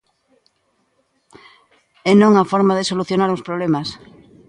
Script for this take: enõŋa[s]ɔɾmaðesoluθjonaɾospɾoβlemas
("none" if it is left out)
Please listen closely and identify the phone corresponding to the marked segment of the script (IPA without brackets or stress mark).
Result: f